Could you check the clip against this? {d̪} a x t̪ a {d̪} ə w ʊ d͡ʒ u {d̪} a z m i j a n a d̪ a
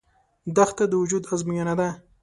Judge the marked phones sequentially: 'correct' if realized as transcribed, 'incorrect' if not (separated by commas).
correct, correct, correct